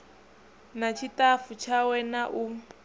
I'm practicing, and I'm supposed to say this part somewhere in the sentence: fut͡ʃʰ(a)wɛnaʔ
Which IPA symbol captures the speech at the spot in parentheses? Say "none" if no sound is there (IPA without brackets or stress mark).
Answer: a